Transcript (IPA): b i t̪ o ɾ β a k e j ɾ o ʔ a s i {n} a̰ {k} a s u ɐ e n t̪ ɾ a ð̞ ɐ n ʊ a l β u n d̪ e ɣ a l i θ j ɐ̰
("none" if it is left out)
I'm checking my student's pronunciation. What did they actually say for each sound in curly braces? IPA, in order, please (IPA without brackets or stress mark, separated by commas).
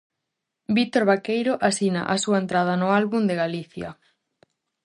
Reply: n, ʔ